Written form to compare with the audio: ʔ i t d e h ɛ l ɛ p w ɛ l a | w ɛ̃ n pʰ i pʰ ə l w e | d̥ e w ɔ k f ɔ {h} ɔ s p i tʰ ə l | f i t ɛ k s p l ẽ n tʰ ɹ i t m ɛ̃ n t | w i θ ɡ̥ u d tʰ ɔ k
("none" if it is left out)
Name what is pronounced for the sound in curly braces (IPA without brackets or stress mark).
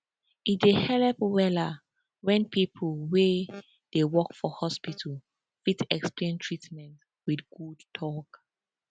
h